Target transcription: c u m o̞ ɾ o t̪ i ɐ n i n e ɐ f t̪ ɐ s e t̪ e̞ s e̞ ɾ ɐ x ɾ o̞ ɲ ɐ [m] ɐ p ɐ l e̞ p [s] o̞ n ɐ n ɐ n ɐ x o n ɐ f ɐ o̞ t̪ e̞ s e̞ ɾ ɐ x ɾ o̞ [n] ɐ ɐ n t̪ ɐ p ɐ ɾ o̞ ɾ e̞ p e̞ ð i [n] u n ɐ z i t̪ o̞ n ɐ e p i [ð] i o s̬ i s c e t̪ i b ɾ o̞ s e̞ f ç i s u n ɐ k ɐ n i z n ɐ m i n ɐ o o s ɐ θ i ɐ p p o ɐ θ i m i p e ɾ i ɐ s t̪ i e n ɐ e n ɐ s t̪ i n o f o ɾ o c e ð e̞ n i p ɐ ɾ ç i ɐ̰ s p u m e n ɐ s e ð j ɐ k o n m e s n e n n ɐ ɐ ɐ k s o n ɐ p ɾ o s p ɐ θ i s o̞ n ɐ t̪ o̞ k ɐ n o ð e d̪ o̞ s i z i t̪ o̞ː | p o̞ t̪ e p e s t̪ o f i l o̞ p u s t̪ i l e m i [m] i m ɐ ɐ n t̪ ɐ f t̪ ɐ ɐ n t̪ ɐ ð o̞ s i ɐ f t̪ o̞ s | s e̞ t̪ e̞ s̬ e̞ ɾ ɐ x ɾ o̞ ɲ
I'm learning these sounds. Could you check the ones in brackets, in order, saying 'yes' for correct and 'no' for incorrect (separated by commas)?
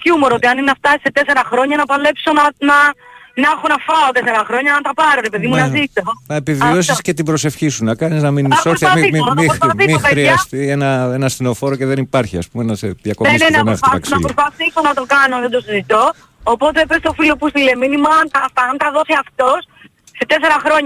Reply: no, yes, no, no, no, no